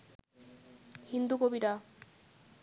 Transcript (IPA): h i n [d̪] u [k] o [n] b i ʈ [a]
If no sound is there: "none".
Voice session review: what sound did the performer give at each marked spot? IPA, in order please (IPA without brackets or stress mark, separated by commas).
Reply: d̪, k, none, a